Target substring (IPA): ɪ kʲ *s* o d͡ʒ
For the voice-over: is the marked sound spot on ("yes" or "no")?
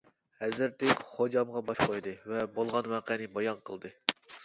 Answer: no